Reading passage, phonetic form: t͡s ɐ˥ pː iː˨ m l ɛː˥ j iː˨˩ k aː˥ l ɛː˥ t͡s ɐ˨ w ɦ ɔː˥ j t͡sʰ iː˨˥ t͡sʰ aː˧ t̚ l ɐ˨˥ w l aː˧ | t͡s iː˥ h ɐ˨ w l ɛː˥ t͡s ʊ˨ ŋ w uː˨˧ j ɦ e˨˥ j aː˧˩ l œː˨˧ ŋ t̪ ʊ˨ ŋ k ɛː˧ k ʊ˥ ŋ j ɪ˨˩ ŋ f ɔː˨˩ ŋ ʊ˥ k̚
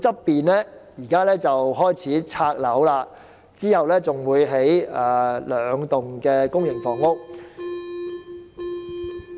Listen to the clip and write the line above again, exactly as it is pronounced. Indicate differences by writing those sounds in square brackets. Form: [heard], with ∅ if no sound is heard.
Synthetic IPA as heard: t͡s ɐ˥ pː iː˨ [n] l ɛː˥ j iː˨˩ k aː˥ l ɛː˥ t͡s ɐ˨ w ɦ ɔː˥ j t͡sʰ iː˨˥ t͡sʰ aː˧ [k̚] l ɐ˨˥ w l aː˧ | t͡s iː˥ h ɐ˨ w l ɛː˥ t͡s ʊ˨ ŋ w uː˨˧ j ɦ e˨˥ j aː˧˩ l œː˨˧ ŋ t̪ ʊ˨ ŋ k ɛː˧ k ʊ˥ ŋ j ɪ˨˩ ŋ f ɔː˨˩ ŋ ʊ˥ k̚

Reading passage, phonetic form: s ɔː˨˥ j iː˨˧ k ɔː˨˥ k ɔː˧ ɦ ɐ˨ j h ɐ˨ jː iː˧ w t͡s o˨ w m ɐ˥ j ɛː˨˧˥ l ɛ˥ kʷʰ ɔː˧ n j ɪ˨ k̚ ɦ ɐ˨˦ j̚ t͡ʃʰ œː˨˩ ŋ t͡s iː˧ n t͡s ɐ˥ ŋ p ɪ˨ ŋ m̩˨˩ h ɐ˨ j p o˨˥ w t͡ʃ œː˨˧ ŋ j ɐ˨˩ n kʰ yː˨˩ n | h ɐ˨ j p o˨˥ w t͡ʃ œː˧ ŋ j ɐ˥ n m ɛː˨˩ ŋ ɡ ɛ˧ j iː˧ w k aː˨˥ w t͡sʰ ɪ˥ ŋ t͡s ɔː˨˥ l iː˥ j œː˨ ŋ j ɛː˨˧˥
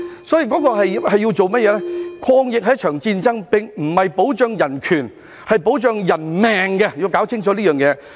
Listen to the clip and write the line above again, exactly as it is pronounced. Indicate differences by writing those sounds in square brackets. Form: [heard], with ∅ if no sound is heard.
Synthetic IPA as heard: s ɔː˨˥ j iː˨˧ k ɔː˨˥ k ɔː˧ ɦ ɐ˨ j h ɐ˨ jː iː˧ w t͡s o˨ w m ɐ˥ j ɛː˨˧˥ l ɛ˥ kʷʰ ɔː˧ [ŋ] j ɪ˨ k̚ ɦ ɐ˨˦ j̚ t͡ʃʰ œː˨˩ ŋ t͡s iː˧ n t͡s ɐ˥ ŋ p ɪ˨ ŋ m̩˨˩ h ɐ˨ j p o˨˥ w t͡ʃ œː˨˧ ŋ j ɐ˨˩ n kʰ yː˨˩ n | h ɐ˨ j p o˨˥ w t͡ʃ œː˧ ŋ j [ɐ˨˩] n m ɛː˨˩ ŋ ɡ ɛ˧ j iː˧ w k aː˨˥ w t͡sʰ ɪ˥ ŋ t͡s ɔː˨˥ l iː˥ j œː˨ ŋ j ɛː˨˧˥

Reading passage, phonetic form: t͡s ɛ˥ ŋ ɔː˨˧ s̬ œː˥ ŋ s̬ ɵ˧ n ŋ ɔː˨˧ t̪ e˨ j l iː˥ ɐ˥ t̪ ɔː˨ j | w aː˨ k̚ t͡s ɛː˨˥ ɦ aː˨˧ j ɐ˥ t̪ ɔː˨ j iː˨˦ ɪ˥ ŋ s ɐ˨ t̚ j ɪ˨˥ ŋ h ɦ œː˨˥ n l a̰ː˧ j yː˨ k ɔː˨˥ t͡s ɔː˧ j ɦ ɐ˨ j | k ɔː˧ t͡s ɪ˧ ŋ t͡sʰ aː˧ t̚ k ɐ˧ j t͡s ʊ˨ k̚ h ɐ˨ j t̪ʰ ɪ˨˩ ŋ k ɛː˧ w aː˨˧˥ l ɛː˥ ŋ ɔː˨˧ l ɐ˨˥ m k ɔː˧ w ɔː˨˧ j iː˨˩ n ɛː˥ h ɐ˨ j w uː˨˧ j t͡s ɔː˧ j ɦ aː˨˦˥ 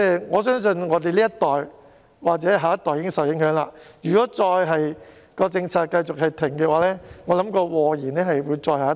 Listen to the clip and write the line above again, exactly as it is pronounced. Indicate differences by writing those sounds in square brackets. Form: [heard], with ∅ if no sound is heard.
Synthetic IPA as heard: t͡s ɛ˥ ŋ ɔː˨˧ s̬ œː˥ ŋ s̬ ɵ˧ n ŋ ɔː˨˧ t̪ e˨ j l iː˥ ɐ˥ t̪ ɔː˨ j | w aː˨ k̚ t͡s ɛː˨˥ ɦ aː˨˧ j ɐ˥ t̪ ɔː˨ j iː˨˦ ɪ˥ ŋ s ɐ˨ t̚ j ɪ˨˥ ŋ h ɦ œː˨˥ [ŋ] l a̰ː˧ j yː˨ k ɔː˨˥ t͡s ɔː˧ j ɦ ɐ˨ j | k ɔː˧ t͡s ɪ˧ ŋ t͡sʰ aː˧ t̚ k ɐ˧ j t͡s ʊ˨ k̚ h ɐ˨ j t̪ʰ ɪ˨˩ ŋ k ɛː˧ w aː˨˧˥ l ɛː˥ ŋ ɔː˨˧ l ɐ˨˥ m k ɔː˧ w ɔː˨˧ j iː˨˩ n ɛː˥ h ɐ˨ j w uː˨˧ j t͡s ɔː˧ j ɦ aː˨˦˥

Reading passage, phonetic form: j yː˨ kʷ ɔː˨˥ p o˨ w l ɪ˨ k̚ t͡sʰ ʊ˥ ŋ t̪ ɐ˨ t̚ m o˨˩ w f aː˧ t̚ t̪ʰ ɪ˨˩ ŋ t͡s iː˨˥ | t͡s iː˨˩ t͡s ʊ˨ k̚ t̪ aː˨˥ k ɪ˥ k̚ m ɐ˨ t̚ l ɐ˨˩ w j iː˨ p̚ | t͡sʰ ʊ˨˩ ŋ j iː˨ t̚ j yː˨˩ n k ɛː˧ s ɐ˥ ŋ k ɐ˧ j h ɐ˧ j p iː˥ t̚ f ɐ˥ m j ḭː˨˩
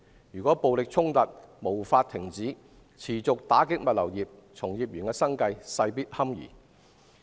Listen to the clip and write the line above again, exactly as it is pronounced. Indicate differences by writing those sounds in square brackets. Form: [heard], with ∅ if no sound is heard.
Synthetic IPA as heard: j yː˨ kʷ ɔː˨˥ p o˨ w l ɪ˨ k̚ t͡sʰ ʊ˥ ŋ t̪ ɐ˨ t̚ m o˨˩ w f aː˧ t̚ t̪ʰ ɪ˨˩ ŋ t͡s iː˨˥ | [t͡sʰ] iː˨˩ t͡s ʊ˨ k̚ t̪ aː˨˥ k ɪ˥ k̚ m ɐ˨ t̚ l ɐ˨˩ w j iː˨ p̚ | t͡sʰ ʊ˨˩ ŋ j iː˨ [p̚] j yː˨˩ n k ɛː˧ s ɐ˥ ŋ k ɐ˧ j [s] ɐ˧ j p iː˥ t̚ [h] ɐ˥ m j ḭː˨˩

